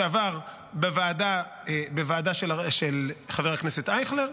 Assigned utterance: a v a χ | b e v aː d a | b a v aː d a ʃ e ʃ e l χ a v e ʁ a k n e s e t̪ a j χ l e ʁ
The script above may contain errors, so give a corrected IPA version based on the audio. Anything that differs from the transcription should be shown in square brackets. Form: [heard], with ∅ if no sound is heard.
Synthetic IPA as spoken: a v a [ʁ] | b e v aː d a | b [e] v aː d a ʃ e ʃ e l χ a v e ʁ a k n e s e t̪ a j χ l e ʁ